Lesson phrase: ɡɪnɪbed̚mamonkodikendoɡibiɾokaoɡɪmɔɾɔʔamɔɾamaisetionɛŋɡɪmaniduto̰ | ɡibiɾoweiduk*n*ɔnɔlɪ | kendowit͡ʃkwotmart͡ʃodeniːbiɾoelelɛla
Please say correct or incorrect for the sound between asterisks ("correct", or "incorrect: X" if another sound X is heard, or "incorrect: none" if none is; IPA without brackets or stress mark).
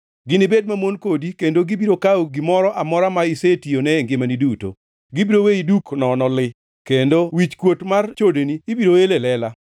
correct